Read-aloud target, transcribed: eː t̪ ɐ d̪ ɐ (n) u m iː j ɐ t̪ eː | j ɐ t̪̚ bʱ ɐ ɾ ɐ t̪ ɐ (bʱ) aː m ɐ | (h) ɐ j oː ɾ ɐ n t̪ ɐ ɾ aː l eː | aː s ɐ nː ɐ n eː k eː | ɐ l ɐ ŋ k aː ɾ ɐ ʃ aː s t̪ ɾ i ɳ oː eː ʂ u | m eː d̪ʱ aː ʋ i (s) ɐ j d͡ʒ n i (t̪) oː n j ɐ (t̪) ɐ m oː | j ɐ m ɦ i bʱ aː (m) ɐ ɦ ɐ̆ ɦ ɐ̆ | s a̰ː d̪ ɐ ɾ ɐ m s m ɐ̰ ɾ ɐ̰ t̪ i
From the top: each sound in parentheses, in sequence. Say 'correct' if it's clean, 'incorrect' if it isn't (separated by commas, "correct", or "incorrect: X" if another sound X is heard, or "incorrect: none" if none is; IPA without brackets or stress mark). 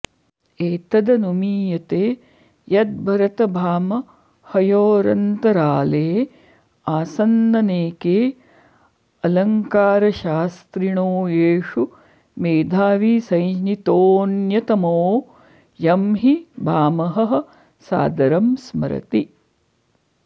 correct, correct, correct, correct, correct, correct, correct